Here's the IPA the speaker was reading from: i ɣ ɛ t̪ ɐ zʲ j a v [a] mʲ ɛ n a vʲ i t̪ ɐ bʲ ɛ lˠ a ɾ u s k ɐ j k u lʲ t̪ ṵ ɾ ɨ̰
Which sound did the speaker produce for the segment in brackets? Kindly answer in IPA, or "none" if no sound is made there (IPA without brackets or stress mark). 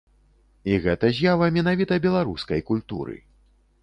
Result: ɐ